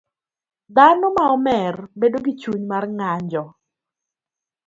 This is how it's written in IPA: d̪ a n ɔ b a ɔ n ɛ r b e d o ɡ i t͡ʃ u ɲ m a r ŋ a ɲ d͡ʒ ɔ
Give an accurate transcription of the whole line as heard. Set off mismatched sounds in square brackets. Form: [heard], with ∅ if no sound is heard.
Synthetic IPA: d̪ a n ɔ [m] a ɔ [m] ɛ r b e d o ɡ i t͡ʃ u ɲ m a r ŋ a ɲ d͡ʒ ɔ